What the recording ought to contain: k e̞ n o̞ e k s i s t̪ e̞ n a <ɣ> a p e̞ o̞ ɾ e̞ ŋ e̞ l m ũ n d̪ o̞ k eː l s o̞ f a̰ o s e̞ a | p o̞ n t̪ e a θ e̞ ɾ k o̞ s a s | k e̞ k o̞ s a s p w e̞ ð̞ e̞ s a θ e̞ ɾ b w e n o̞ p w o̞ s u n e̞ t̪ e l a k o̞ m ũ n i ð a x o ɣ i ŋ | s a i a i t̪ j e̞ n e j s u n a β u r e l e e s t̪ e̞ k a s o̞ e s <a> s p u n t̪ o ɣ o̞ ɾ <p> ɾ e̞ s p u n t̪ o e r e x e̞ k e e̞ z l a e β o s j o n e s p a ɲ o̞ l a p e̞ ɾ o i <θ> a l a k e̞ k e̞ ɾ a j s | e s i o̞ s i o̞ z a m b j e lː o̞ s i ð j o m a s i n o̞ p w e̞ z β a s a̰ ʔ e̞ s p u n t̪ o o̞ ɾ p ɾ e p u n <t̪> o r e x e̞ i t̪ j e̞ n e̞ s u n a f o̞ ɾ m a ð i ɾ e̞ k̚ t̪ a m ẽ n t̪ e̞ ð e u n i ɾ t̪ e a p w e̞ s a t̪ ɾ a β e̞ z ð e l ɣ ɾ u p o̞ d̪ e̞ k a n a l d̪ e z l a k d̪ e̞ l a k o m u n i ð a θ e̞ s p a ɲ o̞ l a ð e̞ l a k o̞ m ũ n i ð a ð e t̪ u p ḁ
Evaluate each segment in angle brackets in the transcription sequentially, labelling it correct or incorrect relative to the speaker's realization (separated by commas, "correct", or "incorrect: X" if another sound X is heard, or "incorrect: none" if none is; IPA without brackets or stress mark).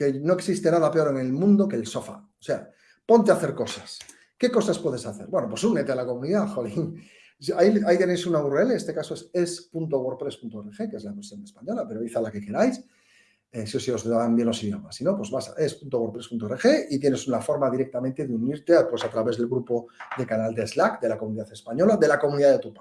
incorrect: ð, incorrect: e, correct, correct, correct